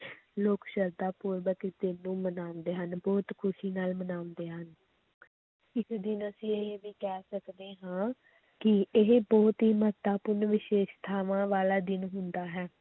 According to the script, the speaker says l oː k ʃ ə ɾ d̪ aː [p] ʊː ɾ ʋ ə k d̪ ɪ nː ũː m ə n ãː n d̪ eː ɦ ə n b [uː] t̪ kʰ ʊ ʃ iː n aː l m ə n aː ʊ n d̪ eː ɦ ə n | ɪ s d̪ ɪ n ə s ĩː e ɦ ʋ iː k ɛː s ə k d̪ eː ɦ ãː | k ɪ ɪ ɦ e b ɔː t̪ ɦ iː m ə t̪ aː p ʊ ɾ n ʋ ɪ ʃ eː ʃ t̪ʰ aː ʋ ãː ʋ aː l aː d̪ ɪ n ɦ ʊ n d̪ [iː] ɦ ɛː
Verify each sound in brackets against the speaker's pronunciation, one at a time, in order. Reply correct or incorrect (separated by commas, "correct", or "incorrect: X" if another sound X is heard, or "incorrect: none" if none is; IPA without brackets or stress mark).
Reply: correct, incorrect: ɔː, incorrect: aː